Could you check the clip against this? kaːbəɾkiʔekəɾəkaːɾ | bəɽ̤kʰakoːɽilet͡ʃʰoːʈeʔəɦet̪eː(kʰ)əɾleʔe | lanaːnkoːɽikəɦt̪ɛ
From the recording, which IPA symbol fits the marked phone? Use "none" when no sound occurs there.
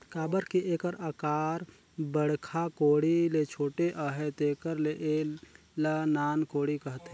k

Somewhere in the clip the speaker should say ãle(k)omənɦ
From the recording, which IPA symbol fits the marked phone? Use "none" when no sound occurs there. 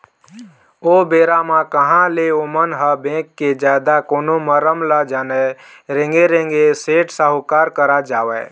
none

